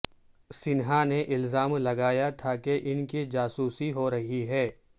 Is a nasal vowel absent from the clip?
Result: yes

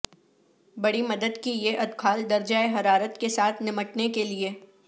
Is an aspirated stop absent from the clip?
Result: no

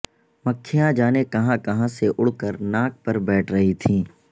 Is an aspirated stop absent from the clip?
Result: no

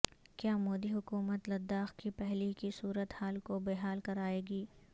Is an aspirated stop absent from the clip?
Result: yes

